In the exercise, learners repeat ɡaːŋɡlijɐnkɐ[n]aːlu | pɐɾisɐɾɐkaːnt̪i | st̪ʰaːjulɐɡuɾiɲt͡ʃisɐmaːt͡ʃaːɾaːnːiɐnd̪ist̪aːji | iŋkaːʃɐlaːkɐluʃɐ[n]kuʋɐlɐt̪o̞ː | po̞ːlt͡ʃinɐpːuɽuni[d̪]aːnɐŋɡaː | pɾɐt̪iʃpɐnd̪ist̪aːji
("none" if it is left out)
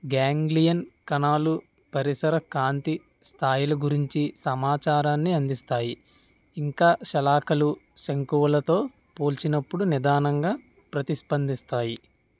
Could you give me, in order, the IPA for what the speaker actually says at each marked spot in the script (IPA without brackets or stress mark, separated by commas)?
n, ŋ, d̪